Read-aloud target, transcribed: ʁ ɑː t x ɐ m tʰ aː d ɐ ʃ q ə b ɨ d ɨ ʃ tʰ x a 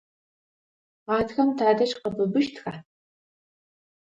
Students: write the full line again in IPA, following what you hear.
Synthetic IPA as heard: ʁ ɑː t x ɐ m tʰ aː d ɐ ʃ q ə b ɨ b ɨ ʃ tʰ x a